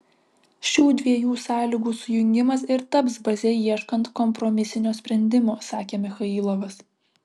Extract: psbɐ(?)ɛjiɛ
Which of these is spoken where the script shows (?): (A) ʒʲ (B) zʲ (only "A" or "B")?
B